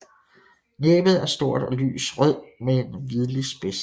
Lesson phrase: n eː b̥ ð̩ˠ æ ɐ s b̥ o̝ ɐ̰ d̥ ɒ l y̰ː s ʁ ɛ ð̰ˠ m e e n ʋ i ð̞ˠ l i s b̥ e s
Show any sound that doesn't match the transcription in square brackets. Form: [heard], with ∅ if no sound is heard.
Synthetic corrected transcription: n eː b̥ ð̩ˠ æ ɐ s [d̥] o̝ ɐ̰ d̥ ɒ l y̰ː s ʁ [œ] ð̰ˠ m e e n ʋ i ð̞ˠ l i s b̥ e s